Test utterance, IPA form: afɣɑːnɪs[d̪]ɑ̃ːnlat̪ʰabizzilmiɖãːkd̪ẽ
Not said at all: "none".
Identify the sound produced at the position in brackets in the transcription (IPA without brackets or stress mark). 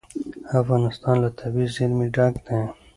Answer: t̪